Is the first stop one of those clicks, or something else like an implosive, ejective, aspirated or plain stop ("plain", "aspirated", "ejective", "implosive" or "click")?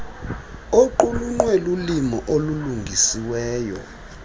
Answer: click